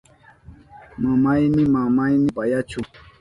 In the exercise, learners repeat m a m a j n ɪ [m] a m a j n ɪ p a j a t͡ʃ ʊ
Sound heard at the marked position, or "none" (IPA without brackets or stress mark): m